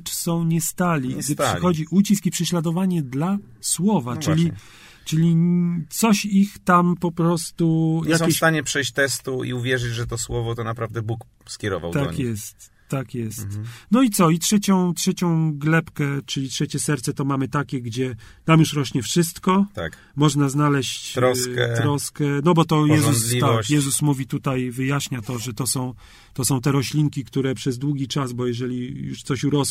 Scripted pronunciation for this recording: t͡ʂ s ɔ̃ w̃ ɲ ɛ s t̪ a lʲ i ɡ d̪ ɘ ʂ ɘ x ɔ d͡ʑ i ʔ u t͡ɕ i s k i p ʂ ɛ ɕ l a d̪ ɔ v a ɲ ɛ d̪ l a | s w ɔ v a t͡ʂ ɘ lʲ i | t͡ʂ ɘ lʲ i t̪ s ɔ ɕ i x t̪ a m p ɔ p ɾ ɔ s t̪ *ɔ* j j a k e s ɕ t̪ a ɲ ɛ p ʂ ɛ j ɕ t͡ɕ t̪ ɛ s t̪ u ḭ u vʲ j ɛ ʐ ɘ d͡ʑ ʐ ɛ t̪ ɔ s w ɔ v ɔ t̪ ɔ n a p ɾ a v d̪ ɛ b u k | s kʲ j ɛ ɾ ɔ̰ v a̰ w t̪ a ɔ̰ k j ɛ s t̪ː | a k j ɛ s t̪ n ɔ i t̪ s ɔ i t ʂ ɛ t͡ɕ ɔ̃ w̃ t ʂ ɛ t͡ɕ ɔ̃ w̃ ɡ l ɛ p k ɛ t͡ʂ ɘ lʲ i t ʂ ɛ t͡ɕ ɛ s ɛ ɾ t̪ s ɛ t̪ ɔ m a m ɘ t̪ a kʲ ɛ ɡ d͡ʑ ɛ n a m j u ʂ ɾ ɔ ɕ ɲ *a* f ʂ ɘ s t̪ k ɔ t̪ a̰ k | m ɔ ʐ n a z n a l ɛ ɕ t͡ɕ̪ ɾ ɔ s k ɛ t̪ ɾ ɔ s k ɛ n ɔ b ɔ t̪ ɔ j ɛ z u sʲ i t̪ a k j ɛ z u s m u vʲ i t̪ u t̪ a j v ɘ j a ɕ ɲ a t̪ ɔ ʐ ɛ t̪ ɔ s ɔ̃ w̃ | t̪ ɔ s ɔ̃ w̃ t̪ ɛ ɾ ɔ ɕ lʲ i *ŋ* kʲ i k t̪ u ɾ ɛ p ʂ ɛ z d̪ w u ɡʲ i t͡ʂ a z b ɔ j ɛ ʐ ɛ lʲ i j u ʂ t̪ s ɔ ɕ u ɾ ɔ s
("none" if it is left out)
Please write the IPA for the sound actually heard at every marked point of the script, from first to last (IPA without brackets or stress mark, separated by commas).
u, ɛ, ŋ